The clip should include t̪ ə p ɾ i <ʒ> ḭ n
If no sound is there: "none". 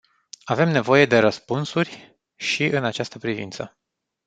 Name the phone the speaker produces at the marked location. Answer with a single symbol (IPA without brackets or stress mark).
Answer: v